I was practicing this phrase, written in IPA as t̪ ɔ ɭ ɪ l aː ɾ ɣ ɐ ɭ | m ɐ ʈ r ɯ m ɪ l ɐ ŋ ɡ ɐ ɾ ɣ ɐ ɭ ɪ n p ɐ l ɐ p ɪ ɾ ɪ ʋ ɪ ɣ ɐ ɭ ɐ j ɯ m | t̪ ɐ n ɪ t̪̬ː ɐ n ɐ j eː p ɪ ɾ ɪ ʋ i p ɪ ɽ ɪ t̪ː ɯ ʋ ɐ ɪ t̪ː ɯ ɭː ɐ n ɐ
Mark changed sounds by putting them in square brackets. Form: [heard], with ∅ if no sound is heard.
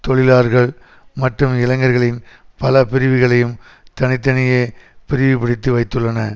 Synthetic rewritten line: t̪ ɔ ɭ ɪ l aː ɾ ɣ ɐ ɭ | m ɐ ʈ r ɯ m ɪ l ɐ ŋ ɡ ɐ ɾ ɣ ɐ ɭ ɪ n p ɐ l ɐ p ɪ ɾ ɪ ʋ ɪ ɣ ɐ ɭ ɐ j ɯ m | t̪ ɐ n ɪ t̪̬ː ɐ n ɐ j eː p ɪ ɾ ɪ ʋ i p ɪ ɽ ɪ t̪ː ɯ ʋ ɐ ɪ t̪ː ɯ ɭː ɐ n ɐ